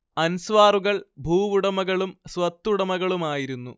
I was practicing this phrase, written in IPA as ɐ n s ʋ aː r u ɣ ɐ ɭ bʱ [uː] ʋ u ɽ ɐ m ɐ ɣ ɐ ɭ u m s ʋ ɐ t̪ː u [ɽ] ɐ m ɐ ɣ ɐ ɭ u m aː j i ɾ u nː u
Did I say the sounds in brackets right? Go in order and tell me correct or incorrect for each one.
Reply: correct, correct

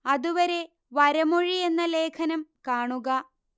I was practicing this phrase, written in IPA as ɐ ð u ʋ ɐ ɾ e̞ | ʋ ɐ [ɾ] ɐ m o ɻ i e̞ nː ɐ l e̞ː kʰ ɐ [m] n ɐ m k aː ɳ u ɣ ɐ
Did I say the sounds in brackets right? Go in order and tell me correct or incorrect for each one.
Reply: correct, incorrect: none

